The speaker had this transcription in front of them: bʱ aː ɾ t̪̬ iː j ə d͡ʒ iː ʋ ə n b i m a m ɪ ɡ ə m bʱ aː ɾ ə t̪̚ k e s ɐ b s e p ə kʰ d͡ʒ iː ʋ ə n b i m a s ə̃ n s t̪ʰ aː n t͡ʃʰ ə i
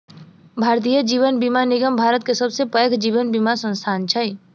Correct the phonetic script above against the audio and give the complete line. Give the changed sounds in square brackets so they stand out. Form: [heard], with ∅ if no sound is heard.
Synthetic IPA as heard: bʱ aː ɾ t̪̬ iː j ə d͡ʒ iː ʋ ə n b i m a [n] ɪ ɡ ə m bʱ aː ɾ ə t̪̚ k e s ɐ b s e p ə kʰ d͡ʒ iː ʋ ə n b i m a s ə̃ n s t̪ʰ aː n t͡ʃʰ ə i